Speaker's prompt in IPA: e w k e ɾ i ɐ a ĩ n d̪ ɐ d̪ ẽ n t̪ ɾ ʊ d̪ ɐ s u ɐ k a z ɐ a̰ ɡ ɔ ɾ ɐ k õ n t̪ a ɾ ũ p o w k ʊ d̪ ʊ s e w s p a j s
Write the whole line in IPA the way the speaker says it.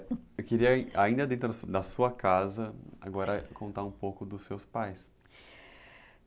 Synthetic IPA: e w k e ɾ i ɐ a ĩ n d̪ ɐ d̪ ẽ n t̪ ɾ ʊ d̪ ɐ s u ɐ k a z ɐ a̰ ɡ ɔ ɾ ɐ k õ n t̪ a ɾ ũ p o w k ʊ d̪ ʊ s e w s p a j s